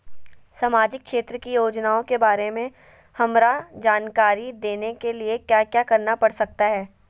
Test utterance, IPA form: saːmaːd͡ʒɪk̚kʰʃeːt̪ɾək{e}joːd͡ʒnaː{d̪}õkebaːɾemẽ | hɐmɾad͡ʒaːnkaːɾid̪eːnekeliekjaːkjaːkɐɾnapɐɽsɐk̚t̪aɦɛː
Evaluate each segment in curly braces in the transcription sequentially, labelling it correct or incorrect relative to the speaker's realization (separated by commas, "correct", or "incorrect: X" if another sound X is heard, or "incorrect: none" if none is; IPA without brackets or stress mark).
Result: incorrect: i, incorrect: none